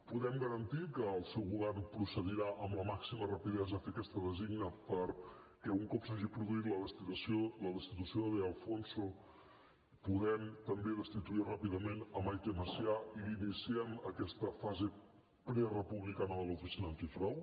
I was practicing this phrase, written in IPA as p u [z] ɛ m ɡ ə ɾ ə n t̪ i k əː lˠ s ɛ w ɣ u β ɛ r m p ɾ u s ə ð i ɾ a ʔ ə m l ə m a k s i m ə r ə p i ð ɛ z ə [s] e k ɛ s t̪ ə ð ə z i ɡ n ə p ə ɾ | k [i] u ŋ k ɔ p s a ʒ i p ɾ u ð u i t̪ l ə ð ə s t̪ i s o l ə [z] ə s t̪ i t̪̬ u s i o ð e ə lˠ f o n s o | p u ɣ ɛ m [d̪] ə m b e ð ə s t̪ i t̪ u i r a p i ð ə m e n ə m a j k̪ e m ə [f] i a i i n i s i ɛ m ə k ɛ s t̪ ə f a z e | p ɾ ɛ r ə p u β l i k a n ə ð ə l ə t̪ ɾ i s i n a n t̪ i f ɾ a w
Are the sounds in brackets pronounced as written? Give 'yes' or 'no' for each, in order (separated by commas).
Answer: no, no, no, no, no, no